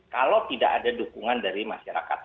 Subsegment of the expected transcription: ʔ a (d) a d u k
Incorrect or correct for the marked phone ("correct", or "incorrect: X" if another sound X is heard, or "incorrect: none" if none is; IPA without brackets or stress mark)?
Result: correct